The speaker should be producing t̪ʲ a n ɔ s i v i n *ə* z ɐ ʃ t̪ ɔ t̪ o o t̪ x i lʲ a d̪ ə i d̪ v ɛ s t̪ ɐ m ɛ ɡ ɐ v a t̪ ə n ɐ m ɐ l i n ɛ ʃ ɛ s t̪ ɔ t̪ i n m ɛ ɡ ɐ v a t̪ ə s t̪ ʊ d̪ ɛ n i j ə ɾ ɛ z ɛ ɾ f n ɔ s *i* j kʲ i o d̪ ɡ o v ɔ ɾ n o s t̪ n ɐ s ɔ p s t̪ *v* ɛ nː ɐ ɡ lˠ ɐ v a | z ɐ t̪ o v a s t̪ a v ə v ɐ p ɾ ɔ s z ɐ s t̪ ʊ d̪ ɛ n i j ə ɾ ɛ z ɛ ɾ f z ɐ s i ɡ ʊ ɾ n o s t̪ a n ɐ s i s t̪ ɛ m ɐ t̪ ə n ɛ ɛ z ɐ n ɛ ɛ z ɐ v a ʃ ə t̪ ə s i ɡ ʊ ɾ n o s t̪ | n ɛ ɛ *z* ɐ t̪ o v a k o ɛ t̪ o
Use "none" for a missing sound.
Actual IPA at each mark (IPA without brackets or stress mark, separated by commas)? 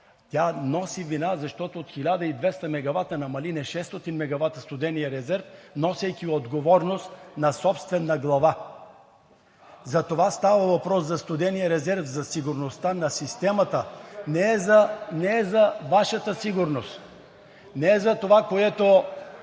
a, ɛ, v, z